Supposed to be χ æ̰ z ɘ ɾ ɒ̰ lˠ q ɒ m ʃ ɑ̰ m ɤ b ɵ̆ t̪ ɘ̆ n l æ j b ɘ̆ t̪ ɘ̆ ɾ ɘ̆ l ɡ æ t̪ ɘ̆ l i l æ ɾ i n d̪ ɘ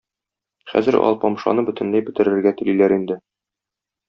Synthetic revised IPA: χ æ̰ z ɘ ɾ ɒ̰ lˠ p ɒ m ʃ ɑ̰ n ɤ b ɵ̆ t̪ ɘ̆ n l æ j b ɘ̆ t̪ ɘ̆ ɾ ɘ̆ ɾ ɡ æ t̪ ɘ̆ l i l æ ɾ i n d̪ ɘ